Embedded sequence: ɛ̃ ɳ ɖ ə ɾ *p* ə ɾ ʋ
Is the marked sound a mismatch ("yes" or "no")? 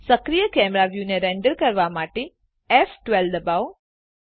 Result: yes